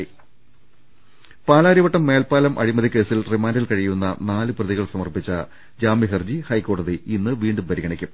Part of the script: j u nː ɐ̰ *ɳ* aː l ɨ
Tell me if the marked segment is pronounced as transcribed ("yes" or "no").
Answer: no